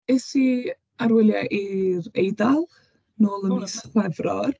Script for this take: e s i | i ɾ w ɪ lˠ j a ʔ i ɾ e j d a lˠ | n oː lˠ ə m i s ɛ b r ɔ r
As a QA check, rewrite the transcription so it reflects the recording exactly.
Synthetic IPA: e s i | a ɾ w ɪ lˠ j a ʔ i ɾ e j d a lˠ | n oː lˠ ə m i s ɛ v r ɔ r